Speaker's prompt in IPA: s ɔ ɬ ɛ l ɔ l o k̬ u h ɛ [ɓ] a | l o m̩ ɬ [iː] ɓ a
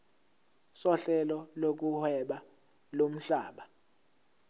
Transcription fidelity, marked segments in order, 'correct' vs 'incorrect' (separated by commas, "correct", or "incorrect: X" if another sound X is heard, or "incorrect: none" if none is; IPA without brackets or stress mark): correct, incorrect: aː